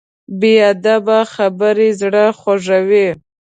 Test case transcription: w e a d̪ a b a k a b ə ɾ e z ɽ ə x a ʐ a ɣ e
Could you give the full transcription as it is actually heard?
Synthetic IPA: b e a d̪ a b a x a b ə ɾ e z ɽ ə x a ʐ a w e